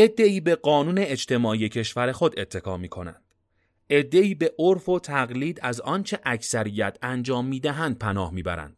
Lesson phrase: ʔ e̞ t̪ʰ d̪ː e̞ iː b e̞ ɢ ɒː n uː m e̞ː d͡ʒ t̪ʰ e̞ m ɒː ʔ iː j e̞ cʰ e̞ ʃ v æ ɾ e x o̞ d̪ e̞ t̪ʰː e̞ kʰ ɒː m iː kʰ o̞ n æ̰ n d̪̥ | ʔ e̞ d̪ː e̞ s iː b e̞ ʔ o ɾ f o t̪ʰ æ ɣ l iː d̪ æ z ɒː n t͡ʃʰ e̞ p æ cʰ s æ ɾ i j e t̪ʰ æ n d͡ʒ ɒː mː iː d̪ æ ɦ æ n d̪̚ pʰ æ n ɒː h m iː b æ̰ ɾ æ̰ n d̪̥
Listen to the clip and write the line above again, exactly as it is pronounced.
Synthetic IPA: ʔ e̞ d̪ː e̞ iː b e̞ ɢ ɒː n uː n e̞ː d͡ʒ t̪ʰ e̞ m ɒː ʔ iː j e̞ cʰ e̞ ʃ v æ ɾ e x o̞ d̪ e̞ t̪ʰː e̞ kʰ ɒː m iː kʰ o̞ n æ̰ n d̪̥ | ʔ e̞ d̪ː e̞ iː b e̞ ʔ o ɾ f o t̪ʰ æ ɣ l iː d̪ æ z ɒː n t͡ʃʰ e̞ ʔ æ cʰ s æ ɾ i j æ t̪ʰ æ n d͡ʒ ɒː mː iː d̪ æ ɦ æ n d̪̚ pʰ æ n ɒː h m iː b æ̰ ɾ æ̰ n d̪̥